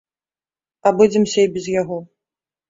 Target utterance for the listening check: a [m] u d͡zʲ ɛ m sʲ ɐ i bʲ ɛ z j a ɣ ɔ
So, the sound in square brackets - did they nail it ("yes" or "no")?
no